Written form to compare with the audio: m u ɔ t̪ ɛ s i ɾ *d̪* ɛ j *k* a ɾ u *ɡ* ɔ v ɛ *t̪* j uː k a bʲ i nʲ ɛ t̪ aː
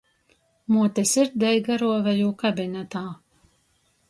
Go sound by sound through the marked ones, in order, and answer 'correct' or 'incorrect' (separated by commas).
correct, incorrect, incorrect, incorrect